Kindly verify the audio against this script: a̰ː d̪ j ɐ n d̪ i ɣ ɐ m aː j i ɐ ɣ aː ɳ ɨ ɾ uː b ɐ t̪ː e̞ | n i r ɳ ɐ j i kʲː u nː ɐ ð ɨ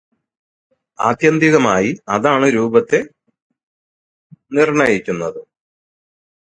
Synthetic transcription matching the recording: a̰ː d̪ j ɐ n d̪ i ɣ ɐ m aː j i ɐ ð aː ɳ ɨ ɾ uː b ɐ t̪ː e̞ | n i r ɳ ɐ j i kʲː u nː ɐ ð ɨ